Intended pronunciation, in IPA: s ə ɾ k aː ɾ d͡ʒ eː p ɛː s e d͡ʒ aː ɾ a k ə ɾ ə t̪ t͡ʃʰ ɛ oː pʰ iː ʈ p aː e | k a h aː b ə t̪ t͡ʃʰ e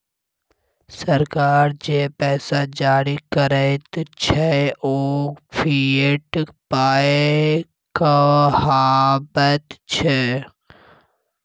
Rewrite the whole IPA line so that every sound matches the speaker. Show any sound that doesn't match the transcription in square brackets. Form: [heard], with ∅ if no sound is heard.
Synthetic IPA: s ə ɾ k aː ɾ d͡ʒ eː p ɛː s [a] d͡ʒ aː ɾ [i] k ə ɾ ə t̪ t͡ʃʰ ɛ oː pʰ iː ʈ p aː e | k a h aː b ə t̪ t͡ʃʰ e